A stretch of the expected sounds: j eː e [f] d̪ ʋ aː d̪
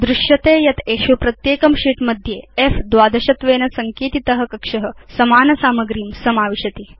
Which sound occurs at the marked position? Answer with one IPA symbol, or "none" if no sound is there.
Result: f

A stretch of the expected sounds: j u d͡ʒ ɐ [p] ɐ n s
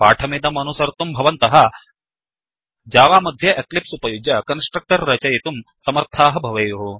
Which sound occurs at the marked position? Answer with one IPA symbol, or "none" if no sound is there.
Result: k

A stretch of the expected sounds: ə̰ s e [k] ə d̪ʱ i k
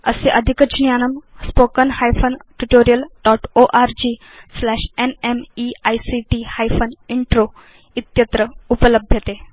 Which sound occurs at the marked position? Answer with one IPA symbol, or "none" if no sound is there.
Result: ʔ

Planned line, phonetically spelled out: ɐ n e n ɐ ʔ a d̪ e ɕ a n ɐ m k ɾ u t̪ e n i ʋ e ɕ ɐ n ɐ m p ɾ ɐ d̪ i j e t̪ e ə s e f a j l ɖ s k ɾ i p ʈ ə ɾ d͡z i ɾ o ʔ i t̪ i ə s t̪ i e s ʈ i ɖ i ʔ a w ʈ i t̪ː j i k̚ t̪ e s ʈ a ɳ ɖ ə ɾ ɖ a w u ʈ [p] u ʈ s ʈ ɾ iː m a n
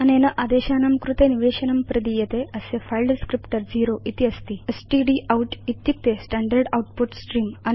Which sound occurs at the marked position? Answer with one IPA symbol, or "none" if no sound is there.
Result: p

